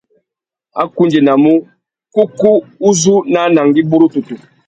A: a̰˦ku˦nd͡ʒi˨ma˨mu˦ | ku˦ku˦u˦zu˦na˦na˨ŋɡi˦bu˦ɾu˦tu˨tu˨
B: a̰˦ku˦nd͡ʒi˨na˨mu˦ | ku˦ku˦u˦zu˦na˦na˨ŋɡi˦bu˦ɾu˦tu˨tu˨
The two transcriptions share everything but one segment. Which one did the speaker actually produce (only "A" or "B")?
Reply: B